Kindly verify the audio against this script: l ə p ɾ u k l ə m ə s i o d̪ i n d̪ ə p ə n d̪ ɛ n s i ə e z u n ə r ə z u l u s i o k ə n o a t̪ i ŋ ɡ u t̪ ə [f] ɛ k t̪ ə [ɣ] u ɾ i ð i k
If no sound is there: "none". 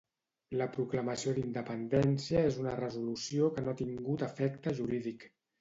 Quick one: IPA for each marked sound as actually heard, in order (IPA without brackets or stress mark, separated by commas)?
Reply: f, ʒ